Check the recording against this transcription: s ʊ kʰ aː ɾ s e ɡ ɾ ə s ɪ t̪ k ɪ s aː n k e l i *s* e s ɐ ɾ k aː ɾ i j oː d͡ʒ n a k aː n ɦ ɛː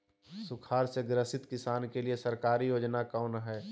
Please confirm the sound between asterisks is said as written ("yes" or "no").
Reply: no